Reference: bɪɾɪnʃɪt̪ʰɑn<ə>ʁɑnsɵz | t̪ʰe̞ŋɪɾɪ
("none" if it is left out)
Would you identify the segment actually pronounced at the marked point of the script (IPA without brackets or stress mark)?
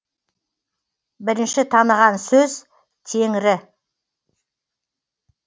ə